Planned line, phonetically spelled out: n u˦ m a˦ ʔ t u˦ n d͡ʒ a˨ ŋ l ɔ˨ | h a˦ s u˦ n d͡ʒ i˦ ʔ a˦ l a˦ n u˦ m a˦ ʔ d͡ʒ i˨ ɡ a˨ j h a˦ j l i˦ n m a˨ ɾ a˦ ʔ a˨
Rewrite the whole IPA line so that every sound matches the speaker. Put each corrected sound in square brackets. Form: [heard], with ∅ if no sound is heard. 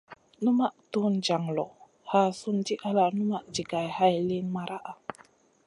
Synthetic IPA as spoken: n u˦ m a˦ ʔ t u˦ n d͡ʒ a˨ ŋ l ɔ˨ | h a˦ s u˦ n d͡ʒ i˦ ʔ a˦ l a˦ n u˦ m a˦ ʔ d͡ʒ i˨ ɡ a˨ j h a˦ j l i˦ n m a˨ ɾ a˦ ʔ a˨